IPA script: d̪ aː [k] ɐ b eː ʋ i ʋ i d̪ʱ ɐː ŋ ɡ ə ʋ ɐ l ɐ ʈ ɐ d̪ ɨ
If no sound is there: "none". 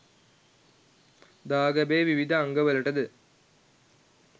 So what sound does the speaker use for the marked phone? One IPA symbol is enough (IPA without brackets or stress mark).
ɡ